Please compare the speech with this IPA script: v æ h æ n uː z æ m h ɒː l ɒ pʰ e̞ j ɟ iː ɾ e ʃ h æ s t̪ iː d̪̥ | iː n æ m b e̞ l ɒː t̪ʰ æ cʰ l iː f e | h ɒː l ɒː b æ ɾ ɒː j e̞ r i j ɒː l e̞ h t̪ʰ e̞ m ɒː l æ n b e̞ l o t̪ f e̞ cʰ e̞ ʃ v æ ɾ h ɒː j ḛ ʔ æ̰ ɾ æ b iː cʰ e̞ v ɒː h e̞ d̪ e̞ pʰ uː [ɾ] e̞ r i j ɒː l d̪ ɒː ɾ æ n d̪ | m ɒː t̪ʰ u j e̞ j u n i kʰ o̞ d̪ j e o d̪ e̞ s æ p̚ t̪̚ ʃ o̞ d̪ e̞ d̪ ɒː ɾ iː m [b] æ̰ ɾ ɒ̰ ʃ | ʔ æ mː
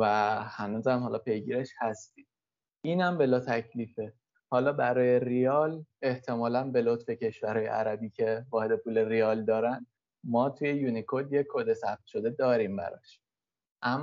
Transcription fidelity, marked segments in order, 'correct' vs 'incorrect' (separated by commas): incorrect, correct